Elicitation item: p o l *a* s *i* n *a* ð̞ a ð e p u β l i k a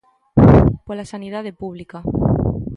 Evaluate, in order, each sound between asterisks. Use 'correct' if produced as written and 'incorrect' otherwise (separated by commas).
correct, incorrect, incorrect